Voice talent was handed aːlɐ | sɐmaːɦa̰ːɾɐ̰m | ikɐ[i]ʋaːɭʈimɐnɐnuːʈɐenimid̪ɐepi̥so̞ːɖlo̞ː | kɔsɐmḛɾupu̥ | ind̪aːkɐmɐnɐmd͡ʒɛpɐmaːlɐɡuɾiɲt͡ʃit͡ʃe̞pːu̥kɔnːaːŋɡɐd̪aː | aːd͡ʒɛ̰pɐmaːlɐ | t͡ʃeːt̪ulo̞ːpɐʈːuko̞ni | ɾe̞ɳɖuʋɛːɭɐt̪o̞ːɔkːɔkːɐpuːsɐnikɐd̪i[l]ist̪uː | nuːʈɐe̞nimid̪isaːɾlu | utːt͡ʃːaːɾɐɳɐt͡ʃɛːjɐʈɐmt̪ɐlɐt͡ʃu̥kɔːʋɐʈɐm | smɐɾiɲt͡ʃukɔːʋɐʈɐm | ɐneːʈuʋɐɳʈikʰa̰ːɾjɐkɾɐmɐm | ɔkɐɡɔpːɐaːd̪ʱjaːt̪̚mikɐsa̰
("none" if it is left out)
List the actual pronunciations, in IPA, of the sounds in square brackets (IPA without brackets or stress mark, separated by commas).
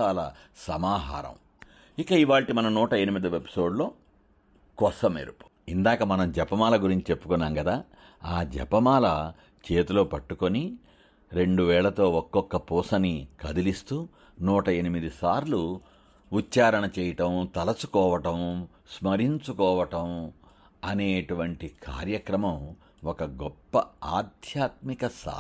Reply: i, l